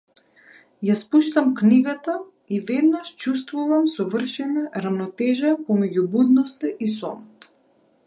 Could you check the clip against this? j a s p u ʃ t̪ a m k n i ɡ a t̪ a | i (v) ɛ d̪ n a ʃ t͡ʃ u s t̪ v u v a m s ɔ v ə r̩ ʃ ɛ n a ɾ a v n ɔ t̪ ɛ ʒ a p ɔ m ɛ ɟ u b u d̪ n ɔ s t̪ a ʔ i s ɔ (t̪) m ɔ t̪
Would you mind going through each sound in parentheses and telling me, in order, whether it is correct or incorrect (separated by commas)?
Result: correct, incorrect